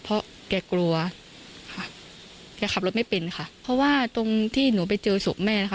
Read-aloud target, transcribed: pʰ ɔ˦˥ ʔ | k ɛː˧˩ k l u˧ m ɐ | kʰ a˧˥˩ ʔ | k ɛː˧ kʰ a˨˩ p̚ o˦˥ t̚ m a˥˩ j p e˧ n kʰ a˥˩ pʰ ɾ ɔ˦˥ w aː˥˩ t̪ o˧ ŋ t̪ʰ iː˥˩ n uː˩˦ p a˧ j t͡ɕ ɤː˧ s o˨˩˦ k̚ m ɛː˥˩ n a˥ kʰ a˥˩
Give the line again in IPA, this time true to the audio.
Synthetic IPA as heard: pʰ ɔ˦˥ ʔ | k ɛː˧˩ k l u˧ ɐ | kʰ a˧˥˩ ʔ | k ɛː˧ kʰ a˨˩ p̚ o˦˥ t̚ m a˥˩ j p e˧ n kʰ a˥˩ pʰ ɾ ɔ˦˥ w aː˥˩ t̪ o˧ ŋ t̪ʰ iː˥˩ n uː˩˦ p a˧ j t͡ɕ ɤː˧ s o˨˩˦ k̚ m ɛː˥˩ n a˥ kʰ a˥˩

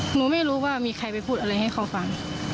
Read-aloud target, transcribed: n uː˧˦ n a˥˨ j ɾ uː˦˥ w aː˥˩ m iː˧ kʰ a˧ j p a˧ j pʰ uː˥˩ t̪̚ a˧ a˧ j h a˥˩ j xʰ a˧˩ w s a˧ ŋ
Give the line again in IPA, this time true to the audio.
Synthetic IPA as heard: n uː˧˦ m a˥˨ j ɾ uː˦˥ w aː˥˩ m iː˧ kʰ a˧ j p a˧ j pʰ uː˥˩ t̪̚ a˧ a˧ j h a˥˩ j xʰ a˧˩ w f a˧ ŋ

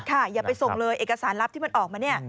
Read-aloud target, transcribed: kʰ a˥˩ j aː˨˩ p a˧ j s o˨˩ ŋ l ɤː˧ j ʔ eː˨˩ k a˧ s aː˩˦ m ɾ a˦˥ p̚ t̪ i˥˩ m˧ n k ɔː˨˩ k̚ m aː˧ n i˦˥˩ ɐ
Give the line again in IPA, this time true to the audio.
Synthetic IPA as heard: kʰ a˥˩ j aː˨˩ p a˧ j s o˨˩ ŋ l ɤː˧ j ʔ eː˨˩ k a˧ s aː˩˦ n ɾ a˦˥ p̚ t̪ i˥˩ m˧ n ʔ ɔː˨˩ k̚ m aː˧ n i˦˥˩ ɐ

